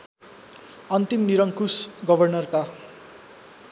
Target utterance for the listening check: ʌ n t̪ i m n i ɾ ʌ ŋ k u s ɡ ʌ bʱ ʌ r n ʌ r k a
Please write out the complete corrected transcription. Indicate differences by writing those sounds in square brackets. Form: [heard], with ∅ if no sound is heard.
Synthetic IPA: ʌ n t̪ i m n i ɾ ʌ ŋ k u s ɡ ʌ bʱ ʌ r n ʌ r k a